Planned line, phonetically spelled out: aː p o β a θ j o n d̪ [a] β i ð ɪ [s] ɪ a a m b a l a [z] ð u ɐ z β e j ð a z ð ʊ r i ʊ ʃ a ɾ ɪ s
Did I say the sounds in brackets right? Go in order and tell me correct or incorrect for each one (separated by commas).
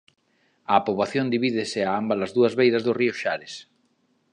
incorrect, correct, correct